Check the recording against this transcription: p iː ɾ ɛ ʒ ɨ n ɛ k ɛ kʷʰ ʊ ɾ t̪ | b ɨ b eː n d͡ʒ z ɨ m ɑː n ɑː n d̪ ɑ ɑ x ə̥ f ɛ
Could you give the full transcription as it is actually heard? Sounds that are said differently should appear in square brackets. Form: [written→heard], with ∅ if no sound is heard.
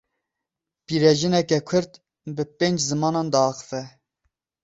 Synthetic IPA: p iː ɾ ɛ ʒ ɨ n ɛ k ɛ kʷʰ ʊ ɾ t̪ | b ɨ [b→p] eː n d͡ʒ z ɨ m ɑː n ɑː n d̪ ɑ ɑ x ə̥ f ɛ